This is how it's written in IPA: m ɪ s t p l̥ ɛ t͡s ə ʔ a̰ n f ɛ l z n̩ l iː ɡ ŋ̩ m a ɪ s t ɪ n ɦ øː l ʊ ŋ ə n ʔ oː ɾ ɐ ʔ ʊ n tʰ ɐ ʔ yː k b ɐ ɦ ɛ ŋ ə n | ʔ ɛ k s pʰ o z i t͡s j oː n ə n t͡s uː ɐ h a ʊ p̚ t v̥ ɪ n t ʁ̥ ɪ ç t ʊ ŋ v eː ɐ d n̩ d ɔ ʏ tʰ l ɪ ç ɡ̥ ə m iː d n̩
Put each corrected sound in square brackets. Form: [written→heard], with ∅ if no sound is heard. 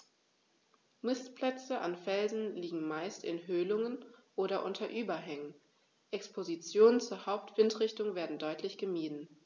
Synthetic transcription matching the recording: m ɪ s t p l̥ ɛ t͡s ə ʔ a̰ n f ɛ l z n̩ l iː ɡ ŋ̩ m a ɪ s t ɪ n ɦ øː l ʊ ŋ ə n ʔ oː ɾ ɐ ʔ ʊ n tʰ ɐ ʔ yː [k→∅] b ɐ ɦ ɛ ŋ ə n | ʔ ɛ k s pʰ o z i t͡s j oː n ə n t͡s uː ɐ h a ʊ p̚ t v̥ ɪ n t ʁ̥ ɪ ç t ʊ ŋ v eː ɐ d n̩ d ɔ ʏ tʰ l ɪ ç ɡ̥ ə m iː d n̩